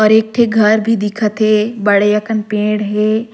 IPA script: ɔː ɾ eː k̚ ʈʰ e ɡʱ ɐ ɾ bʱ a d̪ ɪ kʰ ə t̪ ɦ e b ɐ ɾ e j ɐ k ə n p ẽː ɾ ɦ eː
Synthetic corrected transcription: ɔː ɾ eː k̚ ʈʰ e ɡʱ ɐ ɾ bʱ i d̪ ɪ kʰ ə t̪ ɦ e b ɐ ɽ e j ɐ k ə n p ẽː ɽ ɦ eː